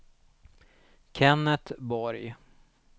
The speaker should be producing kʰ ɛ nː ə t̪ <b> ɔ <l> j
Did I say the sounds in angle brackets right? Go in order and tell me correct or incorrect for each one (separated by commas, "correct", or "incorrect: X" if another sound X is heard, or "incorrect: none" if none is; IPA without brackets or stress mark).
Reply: correct, incorrect: ɾ